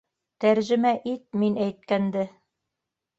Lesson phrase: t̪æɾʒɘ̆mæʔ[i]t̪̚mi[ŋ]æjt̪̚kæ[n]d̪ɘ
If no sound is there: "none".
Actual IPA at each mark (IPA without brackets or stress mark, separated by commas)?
i, n, n